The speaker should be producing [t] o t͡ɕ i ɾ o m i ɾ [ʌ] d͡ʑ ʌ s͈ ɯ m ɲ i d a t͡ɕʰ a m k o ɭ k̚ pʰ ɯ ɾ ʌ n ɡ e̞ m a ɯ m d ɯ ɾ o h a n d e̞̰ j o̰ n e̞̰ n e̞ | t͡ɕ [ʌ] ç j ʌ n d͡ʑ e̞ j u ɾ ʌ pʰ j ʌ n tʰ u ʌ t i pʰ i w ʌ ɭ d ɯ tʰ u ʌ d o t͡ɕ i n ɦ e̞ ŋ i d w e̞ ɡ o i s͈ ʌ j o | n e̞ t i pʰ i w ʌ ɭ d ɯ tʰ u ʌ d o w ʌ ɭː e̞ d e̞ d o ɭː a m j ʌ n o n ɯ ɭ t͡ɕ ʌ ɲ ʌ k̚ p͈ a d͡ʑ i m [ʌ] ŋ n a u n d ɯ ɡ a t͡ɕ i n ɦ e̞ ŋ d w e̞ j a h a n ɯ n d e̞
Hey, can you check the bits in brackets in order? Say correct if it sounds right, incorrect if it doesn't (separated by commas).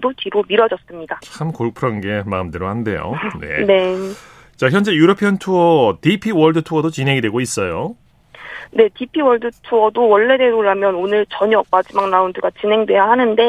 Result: incorrect, correct, incorrect, incorrect